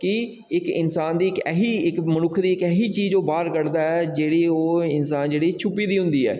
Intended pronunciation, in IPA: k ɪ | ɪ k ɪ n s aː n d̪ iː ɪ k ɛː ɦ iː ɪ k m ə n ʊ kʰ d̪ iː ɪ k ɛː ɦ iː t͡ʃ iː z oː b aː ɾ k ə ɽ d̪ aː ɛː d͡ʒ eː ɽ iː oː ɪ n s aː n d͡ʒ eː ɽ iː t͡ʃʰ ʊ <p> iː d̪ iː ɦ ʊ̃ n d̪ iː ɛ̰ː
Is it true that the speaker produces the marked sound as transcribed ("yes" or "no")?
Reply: yes